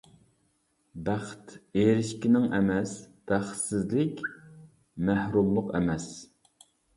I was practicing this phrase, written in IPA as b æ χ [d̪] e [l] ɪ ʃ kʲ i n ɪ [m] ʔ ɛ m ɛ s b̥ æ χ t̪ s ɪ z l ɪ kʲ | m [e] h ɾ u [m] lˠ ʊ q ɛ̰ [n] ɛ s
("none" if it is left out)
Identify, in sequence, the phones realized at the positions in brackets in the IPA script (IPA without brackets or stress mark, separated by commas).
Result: t̪, ɾ, ŋ, æ, m, m